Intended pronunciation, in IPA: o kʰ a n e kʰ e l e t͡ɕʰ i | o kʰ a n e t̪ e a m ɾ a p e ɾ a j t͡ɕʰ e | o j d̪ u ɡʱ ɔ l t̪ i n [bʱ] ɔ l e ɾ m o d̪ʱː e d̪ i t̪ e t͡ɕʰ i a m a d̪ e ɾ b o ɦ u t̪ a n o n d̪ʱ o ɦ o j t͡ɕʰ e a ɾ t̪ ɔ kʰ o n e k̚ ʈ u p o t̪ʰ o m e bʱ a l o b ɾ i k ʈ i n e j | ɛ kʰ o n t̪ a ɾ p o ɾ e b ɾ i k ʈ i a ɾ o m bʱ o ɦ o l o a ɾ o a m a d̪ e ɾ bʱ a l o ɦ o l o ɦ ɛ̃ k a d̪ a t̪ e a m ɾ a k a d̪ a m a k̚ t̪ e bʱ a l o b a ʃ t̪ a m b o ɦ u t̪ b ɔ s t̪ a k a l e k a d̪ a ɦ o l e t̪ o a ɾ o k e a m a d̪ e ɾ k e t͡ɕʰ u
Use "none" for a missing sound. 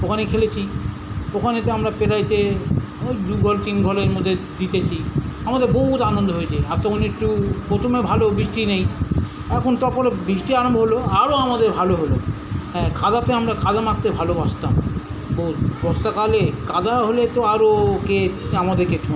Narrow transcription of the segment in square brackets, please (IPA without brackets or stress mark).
ɡʱ